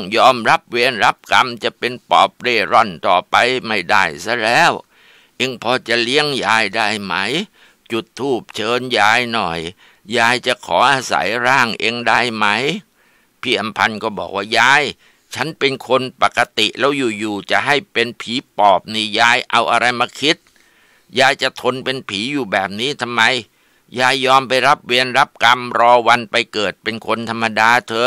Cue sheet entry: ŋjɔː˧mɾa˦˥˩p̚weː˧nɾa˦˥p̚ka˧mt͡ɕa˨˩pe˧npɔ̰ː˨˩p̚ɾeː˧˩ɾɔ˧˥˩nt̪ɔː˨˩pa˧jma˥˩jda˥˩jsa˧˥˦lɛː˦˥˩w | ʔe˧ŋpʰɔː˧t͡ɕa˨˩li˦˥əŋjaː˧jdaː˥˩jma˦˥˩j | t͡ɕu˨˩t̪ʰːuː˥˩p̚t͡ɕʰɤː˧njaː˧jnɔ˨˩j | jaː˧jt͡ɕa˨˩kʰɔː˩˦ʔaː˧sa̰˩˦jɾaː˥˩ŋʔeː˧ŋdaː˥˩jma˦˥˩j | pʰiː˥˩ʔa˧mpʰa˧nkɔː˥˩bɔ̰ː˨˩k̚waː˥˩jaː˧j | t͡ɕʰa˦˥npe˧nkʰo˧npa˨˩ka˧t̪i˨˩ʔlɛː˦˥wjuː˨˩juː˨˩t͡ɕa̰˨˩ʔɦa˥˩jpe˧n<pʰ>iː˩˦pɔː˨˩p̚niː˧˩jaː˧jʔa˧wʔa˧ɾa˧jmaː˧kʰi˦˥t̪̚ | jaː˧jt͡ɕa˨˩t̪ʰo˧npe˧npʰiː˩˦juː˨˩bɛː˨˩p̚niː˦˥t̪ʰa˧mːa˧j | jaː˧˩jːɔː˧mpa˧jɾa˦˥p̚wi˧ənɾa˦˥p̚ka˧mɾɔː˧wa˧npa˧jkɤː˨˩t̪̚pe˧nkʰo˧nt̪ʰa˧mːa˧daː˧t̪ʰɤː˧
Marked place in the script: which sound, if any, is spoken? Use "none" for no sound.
pʰ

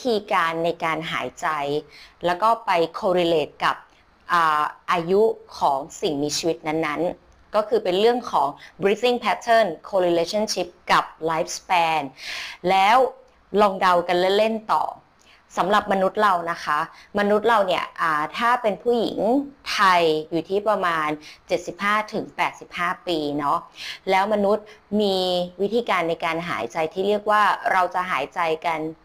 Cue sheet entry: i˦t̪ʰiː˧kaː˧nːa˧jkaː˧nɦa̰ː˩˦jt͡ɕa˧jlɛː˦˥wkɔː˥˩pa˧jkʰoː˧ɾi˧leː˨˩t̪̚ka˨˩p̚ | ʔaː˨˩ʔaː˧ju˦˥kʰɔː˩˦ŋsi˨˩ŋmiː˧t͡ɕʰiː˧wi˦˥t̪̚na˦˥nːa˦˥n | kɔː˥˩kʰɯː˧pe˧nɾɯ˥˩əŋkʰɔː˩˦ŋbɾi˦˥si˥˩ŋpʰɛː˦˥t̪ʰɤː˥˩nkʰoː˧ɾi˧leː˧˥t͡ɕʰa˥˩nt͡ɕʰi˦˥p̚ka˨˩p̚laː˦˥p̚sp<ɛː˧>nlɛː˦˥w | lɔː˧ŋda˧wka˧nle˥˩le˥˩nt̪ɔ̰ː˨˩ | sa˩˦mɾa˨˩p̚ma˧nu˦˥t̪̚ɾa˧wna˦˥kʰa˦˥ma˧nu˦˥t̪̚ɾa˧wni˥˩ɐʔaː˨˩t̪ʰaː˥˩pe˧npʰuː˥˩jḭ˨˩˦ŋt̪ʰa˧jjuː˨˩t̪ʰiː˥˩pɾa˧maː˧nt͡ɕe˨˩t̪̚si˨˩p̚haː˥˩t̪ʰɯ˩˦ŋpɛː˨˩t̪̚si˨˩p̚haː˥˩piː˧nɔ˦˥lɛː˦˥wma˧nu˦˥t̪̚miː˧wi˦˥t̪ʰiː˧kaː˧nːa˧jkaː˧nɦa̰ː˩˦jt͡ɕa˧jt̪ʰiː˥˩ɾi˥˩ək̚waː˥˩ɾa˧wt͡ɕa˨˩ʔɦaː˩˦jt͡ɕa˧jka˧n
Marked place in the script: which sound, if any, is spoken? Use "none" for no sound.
ɛː˧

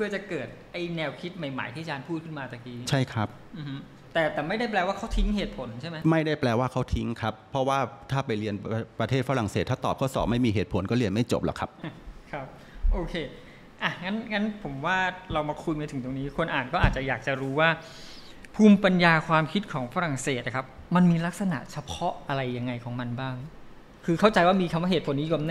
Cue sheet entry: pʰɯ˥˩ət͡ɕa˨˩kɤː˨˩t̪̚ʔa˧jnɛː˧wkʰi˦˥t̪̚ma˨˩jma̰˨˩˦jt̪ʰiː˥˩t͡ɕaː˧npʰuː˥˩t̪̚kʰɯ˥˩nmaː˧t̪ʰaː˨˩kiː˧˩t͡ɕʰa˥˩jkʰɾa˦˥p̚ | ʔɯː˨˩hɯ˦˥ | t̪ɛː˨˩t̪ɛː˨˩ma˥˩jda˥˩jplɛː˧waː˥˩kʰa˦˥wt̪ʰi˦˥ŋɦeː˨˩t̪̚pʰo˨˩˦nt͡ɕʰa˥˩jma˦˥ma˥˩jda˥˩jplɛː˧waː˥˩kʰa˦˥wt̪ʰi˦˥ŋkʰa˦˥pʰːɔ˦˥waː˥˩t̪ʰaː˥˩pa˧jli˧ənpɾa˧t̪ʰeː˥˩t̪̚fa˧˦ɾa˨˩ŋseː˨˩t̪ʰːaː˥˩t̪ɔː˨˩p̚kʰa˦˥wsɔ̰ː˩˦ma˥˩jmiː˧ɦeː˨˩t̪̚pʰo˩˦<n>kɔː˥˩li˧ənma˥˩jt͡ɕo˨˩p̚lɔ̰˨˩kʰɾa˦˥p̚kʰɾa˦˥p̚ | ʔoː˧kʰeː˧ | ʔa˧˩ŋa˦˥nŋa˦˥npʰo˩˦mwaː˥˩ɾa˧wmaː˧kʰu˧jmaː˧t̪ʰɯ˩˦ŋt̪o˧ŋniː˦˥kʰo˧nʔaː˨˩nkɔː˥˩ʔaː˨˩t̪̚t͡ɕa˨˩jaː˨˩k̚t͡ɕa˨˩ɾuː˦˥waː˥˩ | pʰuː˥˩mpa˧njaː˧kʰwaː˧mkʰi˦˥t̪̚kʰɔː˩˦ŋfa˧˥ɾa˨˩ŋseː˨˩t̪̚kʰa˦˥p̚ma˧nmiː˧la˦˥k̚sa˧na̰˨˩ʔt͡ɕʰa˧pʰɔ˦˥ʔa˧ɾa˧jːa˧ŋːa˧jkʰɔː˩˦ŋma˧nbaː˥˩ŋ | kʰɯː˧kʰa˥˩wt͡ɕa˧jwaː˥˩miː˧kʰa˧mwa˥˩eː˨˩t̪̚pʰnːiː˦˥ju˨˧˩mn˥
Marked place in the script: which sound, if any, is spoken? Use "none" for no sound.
n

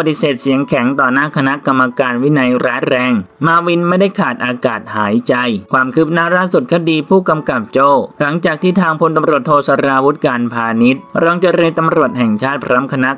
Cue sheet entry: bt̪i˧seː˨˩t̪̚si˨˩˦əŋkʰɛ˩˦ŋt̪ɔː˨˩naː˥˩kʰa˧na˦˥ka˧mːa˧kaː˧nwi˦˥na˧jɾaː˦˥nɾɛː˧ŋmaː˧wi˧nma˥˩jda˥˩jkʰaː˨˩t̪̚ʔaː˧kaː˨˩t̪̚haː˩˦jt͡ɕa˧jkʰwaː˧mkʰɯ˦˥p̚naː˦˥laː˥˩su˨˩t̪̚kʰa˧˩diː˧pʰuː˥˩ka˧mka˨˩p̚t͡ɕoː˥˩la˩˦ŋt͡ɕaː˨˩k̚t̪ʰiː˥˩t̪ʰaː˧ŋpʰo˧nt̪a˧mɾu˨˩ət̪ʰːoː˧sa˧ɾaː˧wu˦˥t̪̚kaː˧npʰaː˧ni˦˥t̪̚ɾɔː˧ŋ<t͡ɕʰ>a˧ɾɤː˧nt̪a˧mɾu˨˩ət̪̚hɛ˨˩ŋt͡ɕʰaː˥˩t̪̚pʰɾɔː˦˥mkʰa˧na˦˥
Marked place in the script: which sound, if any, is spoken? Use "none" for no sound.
t͡ɕ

